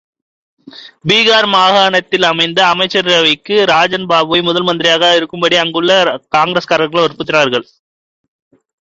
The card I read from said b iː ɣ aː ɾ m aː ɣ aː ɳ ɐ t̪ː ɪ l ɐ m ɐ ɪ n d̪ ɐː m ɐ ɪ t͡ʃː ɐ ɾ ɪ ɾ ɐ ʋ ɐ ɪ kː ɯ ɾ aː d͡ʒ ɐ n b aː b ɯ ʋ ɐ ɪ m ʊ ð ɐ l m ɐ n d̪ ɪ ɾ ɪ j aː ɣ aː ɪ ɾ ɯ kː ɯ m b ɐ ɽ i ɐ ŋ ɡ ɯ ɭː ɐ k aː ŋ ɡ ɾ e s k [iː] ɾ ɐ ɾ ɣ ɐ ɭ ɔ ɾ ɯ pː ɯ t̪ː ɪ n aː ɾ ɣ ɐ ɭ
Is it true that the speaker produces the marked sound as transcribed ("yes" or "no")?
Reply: no